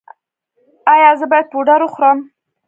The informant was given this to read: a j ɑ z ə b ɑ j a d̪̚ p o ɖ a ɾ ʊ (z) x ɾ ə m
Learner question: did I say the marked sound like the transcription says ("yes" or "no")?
no